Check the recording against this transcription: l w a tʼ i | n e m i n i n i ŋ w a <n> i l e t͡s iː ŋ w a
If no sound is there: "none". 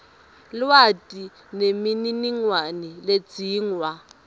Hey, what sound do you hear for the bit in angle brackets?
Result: n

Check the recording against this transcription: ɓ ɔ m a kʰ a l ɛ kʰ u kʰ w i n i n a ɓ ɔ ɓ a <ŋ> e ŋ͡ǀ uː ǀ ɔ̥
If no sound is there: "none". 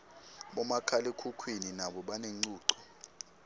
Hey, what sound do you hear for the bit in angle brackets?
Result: n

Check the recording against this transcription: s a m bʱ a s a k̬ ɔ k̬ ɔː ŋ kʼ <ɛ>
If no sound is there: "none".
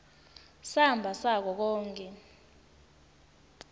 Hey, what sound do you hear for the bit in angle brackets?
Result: ɛ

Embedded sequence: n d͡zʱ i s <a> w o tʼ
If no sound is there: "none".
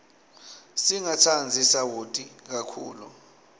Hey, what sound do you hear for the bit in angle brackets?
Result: a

